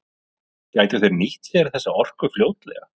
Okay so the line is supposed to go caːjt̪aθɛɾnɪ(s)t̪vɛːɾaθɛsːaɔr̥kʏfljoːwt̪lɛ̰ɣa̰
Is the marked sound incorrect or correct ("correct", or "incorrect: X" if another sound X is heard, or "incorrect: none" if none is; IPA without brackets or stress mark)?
incorrect: h